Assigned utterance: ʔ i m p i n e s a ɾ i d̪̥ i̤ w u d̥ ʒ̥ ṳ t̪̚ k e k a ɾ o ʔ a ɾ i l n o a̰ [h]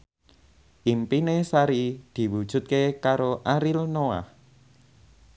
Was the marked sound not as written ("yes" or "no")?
no